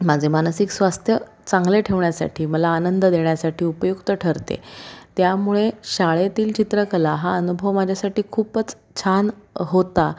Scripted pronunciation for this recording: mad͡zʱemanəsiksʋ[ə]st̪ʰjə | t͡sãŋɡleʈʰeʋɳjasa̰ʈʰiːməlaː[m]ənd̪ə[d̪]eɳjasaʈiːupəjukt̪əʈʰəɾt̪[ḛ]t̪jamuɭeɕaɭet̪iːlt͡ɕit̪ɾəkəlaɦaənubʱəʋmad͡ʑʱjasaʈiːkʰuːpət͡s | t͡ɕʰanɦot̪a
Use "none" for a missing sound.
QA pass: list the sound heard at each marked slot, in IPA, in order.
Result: a, n, d̪, ḛ

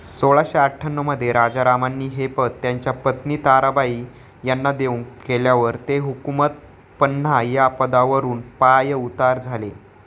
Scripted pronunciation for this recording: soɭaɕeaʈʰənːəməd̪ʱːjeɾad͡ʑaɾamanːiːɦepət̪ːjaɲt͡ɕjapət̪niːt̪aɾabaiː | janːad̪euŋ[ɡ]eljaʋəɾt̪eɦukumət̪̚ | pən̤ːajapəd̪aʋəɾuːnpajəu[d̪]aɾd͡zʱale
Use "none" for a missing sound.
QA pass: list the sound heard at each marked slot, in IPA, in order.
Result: k, t̪

